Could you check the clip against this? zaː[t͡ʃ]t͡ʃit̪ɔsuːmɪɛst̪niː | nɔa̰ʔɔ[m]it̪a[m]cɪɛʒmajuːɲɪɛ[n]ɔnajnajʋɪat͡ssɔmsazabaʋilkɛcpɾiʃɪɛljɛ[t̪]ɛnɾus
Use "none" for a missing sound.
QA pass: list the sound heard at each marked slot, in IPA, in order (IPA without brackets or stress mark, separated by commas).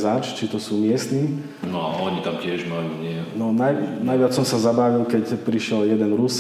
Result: t͡ʃ, ɲ, m, n, d̪